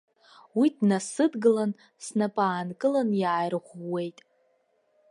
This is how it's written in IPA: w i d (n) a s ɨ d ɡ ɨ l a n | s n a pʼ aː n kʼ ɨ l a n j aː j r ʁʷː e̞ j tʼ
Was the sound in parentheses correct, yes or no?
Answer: yes